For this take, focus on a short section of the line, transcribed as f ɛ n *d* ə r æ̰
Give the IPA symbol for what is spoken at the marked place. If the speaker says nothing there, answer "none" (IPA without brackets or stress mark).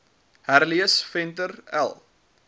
t